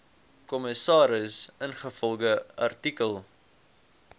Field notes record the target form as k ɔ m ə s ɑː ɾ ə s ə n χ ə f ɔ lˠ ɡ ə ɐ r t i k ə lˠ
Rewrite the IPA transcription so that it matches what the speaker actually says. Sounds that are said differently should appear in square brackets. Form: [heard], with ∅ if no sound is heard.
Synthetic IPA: k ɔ m ə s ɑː ɾ ə s ə n χ ə f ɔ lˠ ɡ ə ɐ r t i k ə lˠ